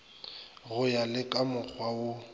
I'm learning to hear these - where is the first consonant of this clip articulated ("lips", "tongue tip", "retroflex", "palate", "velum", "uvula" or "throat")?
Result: velum